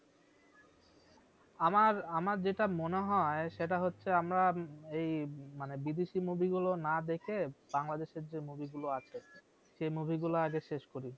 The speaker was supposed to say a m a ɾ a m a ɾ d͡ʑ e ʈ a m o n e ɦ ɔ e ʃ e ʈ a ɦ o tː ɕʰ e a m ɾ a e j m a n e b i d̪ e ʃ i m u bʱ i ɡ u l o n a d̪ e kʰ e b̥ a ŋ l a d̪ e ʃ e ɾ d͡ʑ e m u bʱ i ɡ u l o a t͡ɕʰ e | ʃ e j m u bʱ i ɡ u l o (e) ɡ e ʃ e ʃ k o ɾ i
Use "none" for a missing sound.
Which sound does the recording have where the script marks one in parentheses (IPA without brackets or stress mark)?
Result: a